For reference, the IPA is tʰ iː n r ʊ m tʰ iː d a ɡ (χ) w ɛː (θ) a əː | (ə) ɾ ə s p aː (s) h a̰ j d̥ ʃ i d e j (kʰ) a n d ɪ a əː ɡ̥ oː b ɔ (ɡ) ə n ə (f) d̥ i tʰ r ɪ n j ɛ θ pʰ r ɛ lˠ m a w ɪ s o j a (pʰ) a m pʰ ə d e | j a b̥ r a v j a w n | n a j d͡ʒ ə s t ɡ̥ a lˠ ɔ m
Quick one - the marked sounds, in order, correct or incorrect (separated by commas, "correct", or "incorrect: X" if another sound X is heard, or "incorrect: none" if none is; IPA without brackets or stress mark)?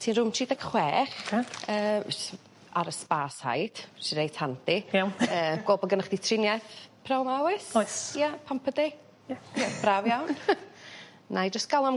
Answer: correct, incorrect: χ, incorrect: a, correct, incorrect: tʰ, correct, incorrect: χ, correct